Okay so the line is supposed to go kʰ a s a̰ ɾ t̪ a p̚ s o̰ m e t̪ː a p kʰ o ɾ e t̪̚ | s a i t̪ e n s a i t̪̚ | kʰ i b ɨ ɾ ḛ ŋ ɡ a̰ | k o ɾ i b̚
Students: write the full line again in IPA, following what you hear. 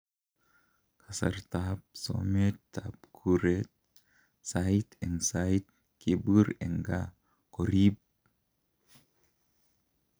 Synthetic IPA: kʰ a s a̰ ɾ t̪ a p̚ s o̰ m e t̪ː a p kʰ u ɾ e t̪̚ | s a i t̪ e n s a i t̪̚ | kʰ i b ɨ ɾ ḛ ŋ ɡ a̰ | k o ɾ i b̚